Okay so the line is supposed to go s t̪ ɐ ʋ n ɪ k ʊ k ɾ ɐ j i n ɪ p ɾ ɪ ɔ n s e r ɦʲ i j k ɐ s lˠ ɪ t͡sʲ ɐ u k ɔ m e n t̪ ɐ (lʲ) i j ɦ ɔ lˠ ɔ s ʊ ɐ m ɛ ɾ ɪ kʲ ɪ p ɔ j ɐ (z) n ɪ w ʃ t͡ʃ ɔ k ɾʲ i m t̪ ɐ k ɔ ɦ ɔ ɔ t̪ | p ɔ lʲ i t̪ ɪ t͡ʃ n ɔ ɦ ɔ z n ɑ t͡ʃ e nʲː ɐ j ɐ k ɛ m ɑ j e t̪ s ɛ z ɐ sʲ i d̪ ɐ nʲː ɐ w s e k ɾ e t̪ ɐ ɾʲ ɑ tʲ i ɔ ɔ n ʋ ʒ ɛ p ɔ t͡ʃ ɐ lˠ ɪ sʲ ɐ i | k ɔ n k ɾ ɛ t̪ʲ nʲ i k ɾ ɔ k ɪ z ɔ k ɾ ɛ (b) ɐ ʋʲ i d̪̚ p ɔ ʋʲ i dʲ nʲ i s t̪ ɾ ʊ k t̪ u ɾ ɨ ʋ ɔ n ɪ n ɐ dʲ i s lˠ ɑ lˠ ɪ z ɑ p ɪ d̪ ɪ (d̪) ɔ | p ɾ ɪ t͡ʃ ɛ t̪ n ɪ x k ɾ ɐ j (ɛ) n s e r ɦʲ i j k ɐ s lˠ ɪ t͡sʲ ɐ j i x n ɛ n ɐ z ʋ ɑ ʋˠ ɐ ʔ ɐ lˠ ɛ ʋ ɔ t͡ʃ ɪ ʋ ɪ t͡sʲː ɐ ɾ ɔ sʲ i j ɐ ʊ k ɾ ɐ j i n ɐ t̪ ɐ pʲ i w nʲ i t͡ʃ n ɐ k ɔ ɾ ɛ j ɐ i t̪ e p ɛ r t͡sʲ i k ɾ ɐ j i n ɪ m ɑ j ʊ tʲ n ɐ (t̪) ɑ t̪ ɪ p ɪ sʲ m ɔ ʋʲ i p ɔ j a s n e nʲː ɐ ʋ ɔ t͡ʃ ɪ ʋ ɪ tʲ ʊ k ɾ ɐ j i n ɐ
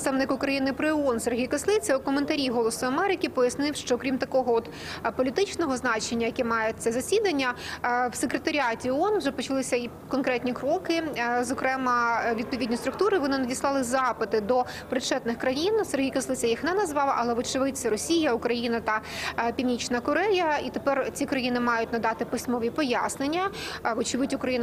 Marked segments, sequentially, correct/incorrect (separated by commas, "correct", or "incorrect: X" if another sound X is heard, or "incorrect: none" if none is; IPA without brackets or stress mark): incorrect: ɾʲ, incorrect: s, incorrect: m, correct, incorrect: i, incorrect: d̪